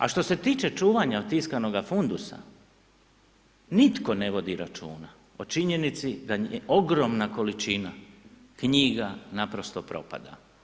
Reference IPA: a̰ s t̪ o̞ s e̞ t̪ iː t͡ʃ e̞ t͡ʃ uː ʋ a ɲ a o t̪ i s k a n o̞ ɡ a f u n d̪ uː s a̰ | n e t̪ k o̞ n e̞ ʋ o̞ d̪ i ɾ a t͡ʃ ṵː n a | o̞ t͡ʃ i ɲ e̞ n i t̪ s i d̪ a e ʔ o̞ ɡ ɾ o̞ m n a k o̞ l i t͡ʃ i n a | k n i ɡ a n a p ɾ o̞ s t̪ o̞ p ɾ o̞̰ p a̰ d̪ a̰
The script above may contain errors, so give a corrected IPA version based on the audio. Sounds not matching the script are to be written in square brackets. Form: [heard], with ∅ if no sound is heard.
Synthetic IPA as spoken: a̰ [ʃ] t̪ o̞ s e̞ t̪ iː t͡ʃ e̞ t͡ʃ uː ʋ a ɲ a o t̪ i s k a n o̞ ɡ a f u n d̪ [u] s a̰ | n [i] t̪ k o̞ n e̞ ʋ o̞ d̪ i ɾ a t͡ʃ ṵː n a | o̞ t͡ʃ i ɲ e̞ n i t̪ s i d̪ a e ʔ o̞ ɡ ɾ o̞ m n a k o̞ l i t͡ʃ i n a | k [ɲ] i ɡ a n a p ɾ o̞ s t̪ o̞ p ɾ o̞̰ p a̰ d̪ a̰